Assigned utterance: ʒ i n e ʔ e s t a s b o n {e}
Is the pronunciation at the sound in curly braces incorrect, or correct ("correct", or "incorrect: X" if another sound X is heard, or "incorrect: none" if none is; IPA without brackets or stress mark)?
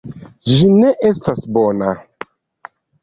incorrect: a